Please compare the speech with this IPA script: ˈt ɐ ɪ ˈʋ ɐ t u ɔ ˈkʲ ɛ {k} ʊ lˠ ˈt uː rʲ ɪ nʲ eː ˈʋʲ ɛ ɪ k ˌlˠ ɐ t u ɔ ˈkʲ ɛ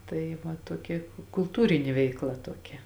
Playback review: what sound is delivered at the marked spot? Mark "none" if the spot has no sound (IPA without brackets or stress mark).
k